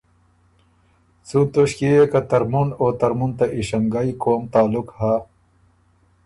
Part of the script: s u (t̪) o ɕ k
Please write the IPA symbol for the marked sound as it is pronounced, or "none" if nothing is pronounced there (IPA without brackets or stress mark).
t̪